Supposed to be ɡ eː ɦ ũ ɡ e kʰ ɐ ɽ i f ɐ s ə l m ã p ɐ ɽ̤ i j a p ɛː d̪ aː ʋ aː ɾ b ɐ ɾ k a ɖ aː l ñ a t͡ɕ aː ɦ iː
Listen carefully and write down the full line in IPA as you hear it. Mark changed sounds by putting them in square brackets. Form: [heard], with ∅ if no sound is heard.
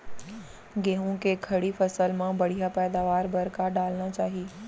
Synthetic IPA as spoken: ɡ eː ɦ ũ [k] e kʰ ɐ ɽ i f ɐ s ə l m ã [b] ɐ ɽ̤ i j a p ɛː d̪ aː ʋ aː ɾ b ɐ ɾ k a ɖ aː l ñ a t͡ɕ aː ɦ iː

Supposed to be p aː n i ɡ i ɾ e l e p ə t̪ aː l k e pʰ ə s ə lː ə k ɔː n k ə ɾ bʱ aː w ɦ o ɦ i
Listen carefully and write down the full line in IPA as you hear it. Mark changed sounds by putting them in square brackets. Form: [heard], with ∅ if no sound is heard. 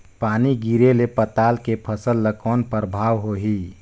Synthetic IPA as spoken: p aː n i ɡ i ɾ e l e p ə t̪ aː l k e pʰ ə s ə lː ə k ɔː n [p] ə ɾ bʱ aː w ɦ o ɦ i

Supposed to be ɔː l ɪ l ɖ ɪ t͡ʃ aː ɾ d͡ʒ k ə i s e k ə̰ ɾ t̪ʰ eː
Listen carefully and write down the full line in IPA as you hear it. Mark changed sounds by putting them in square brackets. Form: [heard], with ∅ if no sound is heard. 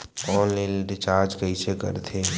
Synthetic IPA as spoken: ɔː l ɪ l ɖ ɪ t͡ʃ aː ɾ d͡ʒ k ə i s e k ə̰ ɾ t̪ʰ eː

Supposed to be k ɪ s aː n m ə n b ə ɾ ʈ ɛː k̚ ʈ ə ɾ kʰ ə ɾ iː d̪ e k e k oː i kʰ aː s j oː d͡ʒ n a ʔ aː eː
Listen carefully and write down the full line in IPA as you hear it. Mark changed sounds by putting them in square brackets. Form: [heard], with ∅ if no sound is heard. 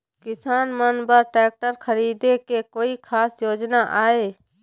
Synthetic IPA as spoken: k ɪ s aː n m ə n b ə ɾ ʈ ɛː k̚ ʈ ə ɾ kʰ ə ɾ iː d̪ e k e k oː i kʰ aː s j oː d͡ʒ n a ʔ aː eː

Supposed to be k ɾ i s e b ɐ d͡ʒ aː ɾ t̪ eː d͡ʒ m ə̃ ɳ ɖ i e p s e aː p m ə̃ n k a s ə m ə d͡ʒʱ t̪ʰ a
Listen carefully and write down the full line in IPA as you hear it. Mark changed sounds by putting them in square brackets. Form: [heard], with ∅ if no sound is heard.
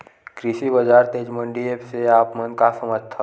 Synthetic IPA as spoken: k ɾ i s [i] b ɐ d͡ʒ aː ɾ t̪ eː d͡ʒ m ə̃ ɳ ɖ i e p s e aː p m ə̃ n k a s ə m ə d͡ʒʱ t̪ʰ a

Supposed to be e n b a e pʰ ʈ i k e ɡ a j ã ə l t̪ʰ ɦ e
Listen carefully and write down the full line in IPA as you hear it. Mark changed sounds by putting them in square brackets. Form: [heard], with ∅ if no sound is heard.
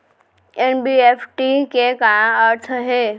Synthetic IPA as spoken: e n b [i] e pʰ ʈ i k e [k] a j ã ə [ɾ] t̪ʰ ɦ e

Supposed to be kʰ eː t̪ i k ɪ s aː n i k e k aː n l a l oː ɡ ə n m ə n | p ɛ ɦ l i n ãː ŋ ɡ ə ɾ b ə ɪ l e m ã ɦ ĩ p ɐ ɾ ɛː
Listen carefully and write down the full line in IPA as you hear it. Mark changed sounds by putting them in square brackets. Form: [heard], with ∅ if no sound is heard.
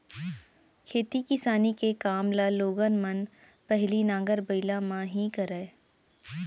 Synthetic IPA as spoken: kʰ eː t̪ i k ɪ s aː n i k e k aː [m] l a l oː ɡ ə n m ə n | p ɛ ɦ l i n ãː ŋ ɡ ə ɾ b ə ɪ l [a] m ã ɦ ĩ [k] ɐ ɾ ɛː

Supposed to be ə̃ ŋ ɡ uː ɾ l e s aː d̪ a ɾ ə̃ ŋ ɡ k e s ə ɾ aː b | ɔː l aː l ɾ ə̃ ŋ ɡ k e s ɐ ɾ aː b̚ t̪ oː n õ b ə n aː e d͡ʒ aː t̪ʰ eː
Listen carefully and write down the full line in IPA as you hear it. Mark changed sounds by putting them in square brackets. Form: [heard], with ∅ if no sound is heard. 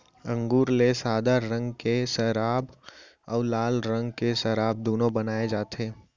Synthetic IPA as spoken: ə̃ ŋ ɡ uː ɾ l e s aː d̪ a ɾ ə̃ ŋ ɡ k e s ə ɾ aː b | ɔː l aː l ɾ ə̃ ŋ ɡ k e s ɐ ɾ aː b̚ [d̪] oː n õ b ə n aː e d͡ʒ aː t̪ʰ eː

